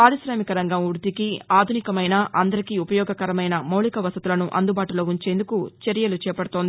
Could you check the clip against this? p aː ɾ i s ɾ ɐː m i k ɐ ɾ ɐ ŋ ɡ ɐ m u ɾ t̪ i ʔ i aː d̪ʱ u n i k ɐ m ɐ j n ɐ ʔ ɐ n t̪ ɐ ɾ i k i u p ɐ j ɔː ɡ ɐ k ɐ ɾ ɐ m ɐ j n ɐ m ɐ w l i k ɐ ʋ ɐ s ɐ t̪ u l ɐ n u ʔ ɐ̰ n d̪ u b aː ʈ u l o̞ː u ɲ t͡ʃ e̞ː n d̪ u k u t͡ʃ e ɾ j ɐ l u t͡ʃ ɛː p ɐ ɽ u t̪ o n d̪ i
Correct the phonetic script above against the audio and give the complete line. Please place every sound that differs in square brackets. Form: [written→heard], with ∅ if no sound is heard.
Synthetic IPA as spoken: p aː ɾ i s ɾ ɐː m i k ɐ ɾ ɐ ŋ ɡ ɐ m u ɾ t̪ i [ʔ→k] i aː d̪ʱ u n i k ɐ m ɐ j n ɐ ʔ ɐ n [t̪→d̪] ɐ ɾ i k i u p ɐ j ɔː ɡ ɐ k ɐ ɾ ɐ m ɐ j n ɐ m ɐ w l i k ɐ ʋ ɐ s ɐ t̪ u l ɐ n u ʔ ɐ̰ n d̪ u b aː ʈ u l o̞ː u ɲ t͡ʃ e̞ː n d̪ u k u t͡ʃ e ɾ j ɐ l u t͡ʃ ɛː p ɐ ɽ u t̪ o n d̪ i